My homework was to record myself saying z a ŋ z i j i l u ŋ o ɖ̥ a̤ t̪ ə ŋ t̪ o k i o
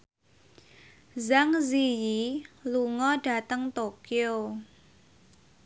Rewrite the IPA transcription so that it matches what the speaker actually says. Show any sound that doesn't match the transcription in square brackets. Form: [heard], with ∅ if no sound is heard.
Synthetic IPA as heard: z a ŋ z i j i l u ŋ [ɔ] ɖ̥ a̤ t̪ ə ŋ t̪ o k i o